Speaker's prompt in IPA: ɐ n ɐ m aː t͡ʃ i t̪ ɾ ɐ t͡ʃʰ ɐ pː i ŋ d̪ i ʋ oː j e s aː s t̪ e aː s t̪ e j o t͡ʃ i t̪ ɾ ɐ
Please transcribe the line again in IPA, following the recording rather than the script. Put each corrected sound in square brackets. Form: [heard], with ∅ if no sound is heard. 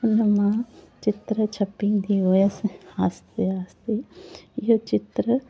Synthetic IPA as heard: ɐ n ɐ m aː t͡ʃ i t̪ ɾ ɐ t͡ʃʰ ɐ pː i ŋ d̪ i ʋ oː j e s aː s t̪ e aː s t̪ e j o t͡ʃ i t̪ ɾ ɐ